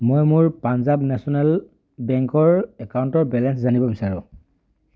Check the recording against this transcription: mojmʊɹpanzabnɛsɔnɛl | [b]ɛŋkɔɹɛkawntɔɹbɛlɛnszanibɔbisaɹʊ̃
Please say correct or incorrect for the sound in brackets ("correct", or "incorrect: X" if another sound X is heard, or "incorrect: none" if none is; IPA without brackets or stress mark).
correct